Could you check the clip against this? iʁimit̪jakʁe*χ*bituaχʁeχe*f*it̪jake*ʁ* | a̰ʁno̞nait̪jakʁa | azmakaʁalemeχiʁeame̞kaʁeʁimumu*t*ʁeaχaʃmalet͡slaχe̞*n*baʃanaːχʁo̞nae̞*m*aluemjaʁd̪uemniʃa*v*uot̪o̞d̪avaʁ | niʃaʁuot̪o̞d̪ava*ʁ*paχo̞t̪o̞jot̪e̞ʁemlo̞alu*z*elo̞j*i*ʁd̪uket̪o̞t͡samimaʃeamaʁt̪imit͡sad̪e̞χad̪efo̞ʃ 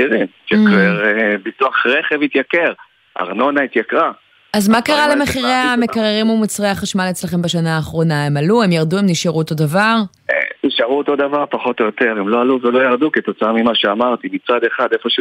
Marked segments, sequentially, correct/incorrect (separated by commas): incorrect, incorrect, correct, incorrect, incorrect, correct, incorrect, correct, incorrect, incorrect